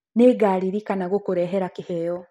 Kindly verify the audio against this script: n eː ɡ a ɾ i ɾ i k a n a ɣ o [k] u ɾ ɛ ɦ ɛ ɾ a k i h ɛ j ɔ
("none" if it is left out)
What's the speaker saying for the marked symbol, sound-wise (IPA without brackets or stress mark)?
k